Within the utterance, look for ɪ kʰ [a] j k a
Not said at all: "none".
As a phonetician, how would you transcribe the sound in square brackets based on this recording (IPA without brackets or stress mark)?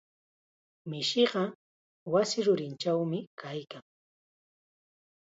a